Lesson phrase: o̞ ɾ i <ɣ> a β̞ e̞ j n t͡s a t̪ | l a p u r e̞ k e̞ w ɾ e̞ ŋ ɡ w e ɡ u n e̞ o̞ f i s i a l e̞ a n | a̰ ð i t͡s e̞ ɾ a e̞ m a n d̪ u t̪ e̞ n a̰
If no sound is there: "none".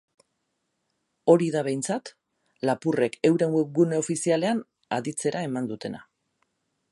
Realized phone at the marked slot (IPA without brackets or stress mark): ð